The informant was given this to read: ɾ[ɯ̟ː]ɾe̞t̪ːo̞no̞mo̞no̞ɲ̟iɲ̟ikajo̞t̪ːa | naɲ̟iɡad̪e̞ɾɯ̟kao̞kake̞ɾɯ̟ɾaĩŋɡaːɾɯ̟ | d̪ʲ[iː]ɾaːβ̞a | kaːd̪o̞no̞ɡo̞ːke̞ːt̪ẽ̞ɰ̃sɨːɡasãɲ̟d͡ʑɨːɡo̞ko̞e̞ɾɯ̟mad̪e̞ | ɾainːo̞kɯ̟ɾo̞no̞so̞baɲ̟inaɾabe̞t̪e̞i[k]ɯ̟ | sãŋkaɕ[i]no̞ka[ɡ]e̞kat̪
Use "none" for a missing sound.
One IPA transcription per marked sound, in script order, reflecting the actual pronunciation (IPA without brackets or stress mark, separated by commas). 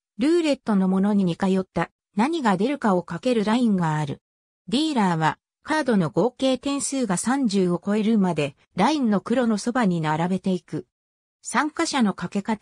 ɯ̟ː, iː, k, a, k